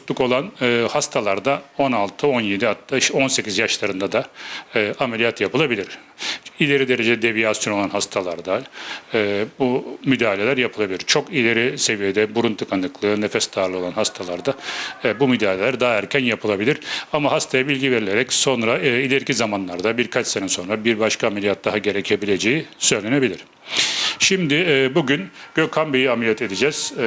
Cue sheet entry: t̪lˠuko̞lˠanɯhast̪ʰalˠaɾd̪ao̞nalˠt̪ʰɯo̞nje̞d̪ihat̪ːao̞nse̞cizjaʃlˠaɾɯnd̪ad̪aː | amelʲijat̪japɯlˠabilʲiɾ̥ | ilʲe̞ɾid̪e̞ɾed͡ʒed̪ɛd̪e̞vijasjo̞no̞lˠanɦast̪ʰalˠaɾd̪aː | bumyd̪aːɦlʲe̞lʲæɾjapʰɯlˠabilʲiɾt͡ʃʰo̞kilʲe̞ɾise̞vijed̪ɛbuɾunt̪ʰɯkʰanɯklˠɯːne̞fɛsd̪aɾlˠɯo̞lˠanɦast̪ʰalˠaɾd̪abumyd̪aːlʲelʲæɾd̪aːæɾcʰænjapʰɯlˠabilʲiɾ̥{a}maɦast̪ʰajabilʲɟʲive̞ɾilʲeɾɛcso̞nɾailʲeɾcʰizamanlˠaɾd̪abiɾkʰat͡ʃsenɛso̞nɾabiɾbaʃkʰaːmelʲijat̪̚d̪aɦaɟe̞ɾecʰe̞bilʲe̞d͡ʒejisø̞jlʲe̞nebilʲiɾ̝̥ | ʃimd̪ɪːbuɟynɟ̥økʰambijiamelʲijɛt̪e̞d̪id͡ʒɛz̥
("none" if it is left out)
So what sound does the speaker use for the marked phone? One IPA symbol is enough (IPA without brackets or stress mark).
a